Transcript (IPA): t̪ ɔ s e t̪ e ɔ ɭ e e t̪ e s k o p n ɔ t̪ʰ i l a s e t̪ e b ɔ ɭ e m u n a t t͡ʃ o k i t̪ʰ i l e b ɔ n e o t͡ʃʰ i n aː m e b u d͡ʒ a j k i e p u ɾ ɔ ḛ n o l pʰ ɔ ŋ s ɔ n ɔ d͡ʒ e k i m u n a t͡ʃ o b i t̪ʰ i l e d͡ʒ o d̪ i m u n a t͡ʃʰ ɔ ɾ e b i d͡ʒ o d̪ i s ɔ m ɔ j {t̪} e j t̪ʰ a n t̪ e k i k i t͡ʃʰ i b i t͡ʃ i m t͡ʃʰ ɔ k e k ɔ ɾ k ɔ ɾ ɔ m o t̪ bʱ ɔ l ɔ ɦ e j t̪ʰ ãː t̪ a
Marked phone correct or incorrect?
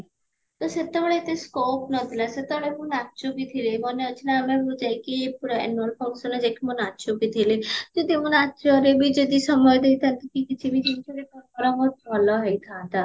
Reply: incorrect